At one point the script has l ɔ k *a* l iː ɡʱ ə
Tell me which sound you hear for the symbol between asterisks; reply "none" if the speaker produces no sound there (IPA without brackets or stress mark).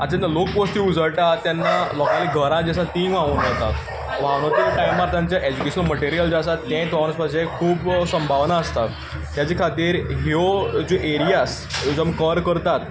a